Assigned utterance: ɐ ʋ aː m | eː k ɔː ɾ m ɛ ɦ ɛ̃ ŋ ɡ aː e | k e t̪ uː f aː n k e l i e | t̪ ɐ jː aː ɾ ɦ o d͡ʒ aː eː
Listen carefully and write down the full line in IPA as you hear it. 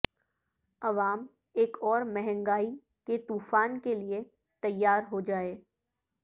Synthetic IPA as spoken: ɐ ʋ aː m | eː k ɔː ɾ m ɛ ɦ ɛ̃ ŋ ɡ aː i | k e t̪ uː f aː n k e l i e | t̪ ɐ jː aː ɾ ɦ o d͡ʒ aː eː